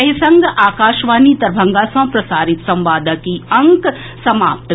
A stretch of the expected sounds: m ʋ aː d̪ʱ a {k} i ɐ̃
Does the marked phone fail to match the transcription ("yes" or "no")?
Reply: no